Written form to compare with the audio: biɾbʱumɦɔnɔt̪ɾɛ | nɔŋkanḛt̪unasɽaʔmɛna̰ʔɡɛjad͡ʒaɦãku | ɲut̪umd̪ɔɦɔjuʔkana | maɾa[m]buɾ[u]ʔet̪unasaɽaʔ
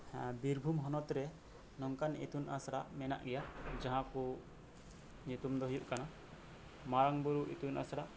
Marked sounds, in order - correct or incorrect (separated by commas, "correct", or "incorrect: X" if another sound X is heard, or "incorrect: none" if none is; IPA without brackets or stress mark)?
incorrect: ŋ, correct